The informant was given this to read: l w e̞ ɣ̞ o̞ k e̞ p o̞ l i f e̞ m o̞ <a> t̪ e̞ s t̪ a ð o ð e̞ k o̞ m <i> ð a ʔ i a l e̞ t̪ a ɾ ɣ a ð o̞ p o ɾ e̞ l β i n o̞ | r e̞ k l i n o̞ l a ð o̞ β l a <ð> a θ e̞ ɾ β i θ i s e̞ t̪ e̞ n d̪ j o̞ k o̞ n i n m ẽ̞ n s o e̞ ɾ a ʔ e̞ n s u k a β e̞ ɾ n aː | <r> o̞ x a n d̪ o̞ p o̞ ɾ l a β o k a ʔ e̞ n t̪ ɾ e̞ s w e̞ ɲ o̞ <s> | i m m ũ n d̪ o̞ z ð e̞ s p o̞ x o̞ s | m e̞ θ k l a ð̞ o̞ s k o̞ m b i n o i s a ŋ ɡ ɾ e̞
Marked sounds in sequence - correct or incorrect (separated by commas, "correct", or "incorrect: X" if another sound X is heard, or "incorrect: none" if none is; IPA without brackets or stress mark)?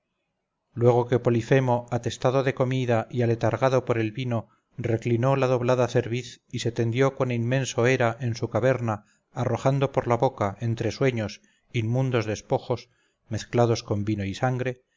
correct, correct, correct, correct, correct